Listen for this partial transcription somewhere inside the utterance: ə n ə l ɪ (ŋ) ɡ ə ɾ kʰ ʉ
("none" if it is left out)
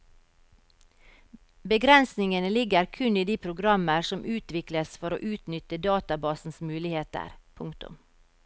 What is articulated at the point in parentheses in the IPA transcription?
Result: none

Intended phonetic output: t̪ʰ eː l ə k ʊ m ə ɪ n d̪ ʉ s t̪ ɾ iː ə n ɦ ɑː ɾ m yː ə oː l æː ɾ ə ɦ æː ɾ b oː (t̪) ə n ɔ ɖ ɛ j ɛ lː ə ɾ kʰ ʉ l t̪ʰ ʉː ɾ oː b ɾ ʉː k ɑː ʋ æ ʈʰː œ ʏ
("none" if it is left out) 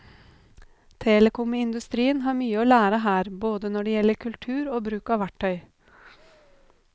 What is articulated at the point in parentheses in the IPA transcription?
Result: d̪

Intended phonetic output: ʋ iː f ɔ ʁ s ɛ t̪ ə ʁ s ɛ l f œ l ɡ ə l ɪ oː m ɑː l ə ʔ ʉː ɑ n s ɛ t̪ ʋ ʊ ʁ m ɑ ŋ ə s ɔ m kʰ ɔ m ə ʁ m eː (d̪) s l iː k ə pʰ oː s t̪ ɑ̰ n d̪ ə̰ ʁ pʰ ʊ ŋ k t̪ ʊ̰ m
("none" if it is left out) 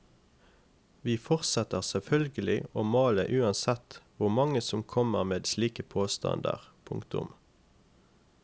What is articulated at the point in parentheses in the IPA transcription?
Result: d̪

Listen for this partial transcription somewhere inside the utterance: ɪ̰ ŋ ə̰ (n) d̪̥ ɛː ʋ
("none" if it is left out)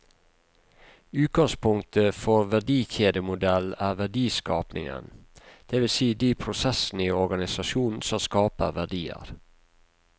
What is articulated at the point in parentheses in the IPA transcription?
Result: n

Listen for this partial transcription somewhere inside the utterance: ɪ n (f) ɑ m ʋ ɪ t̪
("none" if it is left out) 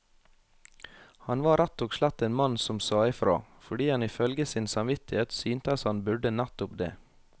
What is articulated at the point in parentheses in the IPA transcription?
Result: s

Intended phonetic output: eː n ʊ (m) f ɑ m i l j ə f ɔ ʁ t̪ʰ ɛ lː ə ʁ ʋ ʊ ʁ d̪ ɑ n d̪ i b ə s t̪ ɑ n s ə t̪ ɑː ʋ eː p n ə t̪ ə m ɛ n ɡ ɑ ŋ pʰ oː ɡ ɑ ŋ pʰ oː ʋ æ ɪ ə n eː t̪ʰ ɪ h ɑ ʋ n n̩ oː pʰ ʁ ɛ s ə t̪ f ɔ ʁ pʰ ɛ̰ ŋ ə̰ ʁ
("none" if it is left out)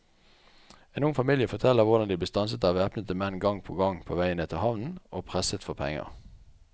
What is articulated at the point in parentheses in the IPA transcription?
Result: ŋ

